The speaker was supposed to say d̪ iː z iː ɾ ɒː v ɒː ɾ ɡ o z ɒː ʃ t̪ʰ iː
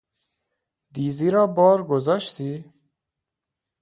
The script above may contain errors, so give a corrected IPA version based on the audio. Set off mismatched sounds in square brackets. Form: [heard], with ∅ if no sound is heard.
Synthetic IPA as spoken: d̪ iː z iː ɾ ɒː [b] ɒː ɾ ɡ o z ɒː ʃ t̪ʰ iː